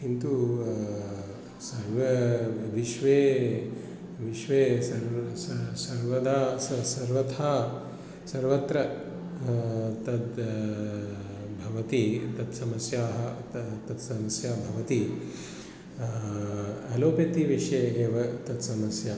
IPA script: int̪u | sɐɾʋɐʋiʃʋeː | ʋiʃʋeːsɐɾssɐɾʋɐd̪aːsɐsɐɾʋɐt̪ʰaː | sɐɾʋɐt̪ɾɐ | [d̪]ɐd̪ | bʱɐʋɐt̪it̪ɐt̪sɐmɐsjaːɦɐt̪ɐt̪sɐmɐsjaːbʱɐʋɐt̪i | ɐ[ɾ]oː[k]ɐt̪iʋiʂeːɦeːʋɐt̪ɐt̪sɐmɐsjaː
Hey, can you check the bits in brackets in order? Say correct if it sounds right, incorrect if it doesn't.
incorrect, incorrect, incorrect

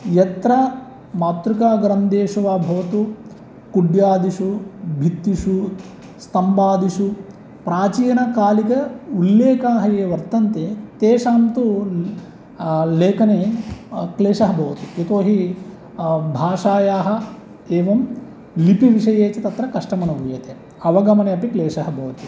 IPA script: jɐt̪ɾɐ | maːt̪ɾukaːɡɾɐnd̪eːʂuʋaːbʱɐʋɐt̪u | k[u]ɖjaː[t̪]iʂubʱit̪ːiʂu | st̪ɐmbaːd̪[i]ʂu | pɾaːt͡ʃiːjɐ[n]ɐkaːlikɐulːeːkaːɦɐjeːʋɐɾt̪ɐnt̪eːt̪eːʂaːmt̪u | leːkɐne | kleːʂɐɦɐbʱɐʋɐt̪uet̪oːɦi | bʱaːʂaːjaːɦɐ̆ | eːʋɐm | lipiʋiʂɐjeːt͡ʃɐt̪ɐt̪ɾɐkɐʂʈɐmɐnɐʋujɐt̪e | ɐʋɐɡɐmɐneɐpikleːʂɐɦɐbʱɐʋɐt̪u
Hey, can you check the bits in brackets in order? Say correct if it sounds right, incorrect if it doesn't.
correct, incorrect, correct, correct

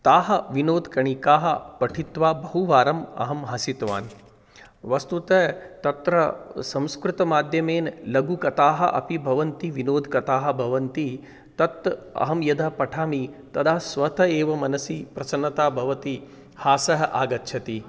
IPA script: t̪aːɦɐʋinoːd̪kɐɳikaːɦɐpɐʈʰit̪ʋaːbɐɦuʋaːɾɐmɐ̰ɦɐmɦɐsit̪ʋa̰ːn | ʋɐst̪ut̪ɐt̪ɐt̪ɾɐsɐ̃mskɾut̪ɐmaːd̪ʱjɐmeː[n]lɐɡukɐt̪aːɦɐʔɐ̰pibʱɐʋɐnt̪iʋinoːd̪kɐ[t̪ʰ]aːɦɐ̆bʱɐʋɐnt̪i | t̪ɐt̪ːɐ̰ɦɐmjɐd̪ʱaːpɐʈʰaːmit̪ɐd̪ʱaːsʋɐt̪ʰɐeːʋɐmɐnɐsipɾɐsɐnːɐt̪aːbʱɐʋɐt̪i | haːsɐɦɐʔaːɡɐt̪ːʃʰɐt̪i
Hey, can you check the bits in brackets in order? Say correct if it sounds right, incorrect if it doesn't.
correct, incorrect

